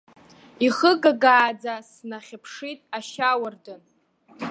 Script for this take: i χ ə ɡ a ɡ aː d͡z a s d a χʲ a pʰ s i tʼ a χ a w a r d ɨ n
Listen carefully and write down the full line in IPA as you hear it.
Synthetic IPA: i χ ə ɡ a ɡ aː d͡z a s n a χʲ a pʰ ʂ i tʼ a ʃ a w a r d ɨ n